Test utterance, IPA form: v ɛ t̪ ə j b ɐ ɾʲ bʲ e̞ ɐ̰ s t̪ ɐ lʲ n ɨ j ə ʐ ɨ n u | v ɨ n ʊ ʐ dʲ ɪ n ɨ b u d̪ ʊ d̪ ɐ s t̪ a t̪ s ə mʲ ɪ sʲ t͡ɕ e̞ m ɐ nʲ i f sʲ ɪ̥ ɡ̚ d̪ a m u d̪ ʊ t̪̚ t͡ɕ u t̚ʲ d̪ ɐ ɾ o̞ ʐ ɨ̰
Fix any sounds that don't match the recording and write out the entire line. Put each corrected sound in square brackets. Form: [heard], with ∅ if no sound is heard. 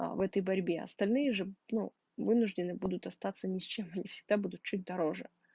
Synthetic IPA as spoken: v ɛ t̪ ə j b ɐ ɾʲ bʲ e̞ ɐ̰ s t̪ ɐ lʲ n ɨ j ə ʐ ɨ n u | v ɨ n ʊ ʐ dʲ ɪ n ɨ b u d̪ ʊ [t̪] ɐ s t̪ a t̪ s ə [nʲ] ɪ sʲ t͡ɕ e̞ m ɐ nʲ i f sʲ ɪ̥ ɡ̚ d̪ a [b] u d̪ ʊ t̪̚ t͡ɕ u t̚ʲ d̪ ɐ ɾ o̞ ʐ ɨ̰